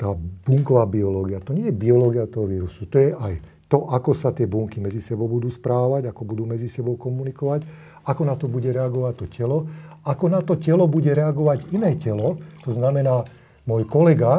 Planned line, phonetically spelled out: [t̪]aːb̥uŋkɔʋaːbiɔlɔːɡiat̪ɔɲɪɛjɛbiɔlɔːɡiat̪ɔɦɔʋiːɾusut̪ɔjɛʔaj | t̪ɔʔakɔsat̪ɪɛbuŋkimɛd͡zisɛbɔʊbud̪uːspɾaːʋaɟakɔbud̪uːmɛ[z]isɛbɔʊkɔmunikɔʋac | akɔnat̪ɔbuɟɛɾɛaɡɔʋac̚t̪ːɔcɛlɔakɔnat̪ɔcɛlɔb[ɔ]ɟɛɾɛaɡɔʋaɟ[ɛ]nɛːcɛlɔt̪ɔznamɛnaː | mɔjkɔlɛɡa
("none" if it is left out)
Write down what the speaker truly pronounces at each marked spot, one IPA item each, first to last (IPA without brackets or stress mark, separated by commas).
t̪, d͡z, u, i